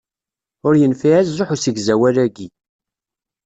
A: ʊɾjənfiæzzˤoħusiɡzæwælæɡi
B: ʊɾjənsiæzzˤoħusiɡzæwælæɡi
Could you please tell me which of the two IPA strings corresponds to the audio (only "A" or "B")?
A